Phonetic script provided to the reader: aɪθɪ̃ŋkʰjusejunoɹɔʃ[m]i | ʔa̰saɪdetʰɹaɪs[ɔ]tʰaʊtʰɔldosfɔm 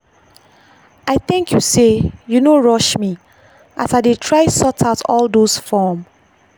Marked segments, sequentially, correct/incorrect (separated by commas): correct, correct